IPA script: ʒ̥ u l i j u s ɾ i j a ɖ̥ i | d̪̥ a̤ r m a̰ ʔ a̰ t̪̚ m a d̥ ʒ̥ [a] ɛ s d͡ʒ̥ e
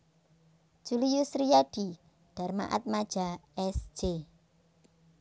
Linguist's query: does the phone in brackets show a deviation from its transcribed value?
no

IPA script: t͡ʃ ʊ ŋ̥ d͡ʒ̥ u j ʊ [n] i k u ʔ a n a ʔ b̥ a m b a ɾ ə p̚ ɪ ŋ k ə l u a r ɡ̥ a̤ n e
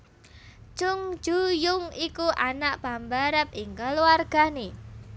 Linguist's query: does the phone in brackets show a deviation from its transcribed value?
yes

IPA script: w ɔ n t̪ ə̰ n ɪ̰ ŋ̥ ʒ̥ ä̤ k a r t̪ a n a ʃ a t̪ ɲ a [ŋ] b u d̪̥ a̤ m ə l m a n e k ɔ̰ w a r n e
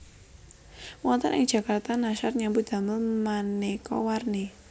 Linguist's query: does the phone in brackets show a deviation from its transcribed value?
yes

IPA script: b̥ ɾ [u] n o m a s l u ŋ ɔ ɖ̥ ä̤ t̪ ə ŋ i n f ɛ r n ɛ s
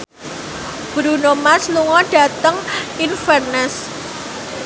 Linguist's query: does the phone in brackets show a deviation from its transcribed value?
no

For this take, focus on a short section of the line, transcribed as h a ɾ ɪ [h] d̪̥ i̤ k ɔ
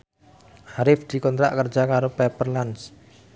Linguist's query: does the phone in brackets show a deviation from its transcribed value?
yes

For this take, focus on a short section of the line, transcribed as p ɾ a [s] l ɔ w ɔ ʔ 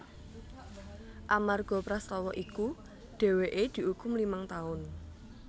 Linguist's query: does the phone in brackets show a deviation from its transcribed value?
no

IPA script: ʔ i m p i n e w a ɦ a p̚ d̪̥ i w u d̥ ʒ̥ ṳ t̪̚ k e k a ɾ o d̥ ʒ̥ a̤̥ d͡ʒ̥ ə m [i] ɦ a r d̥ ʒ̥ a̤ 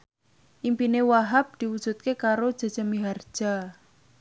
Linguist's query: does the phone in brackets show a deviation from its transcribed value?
no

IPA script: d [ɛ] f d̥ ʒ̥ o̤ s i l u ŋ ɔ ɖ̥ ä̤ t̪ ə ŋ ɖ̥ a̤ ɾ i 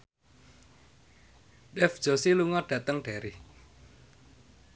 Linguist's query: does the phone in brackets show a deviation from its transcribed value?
no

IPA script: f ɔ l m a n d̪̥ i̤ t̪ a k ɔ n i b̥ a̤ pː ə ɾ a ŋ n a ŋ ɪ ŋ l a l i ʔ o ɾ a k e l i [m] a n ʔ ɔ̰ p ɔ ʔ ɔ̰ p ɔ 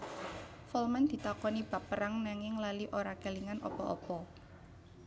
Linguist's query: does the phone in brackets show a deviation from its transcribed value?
yes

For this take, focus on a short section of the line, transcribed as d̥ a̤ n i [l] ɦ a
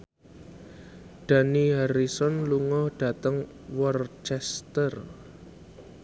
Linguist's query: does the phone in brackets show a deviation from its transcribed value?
yes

